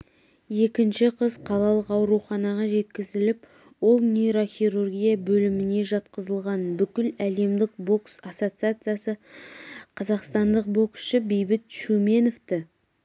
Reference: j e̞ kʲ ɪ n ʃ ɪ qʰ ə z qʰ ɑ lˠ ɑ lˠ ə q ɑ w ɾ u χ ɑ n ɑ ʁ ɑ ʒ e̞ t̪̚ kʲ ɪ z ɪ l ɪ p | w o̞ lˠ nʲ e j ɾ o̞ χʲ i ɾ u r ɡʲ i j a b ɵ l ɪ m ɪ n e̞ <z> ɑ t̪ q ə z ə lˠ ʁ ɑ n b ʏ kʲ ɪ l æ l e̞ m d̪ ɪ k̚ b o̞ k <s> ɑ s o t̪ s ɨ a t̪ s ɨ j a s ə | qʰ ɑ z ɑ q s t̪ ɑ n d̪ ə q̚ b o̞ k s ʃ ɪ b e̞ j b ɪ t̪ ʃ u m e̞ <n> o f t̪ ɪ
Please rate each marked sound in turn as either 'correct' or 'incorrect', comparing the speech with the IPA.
incorrect: ʒ, correct, correct

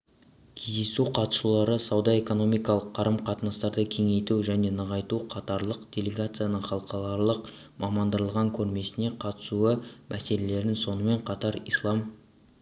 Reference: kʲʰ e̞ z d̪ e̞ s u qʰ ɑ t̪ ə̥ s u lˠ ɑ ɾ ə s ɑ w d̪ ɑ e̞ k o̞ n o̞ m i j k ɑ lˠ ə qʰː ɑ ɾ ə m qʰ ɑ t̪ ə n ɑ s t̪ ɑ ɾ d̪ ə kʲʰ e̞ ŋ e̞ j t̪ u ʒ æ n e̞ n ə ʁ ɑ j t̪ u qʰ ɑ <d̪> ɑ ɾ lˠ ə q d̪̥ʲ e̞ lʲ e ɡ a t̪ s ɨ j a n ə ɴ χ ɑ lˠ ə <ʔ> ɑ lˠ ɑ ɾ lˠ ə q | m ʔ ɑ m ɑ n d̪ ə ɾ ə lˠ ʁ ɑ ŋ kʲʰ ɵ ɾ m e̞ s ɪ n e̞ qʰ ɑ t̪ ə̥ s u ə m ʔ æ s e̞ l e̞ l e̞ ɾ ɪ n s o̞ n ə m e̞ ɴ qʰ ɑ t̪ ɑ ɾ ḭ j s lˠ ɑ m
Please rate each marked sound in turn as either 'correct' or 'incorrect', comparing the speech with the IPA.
incorrect: t̪, incorrect: q

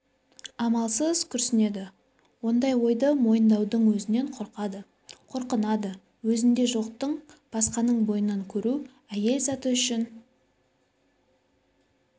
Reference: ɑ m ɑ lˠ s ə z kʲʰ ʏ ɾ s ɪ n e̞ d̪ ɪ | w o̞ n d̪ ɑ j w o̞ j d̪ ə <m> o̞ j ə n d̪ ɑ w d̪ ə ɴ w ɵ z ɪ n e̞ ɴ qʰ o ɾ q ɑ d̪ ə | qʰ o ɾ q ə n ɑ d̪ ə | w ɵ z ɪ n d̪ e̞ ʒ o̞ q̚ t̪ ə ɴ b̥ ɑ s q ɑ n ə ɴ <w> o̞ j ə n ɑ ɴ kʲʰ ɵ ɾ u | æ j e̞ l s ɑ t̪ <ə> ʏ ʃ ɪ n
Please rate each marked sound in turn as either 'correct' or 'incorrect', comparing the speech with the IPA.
correct, incorrect: b, correct

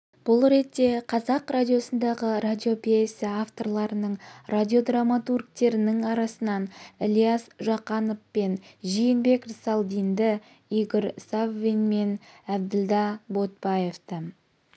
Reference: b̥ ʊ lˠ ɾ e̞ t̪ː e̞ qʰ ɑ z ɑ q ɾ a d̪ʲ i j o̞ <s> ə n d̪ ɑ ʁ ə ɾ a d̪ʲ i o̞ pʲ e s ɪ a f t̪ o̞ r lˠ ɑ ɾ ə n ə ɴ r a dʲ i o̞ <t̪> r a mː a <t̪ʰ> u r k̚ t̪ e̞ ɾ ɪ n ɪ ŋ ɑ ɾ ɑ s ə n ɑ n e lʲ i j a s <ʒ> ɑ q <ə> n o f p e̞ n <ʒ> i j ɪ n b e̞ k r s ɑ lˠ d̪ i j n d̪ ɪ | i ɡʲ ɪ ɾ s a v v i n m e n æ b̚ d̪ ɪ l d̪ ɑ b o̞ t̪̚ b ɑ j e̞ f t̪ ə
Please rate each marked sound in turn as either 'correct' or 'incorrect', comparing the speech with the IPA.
correct, incorrect: d̪, incorrect: t̪, correct, incorrect: ɑ, correct

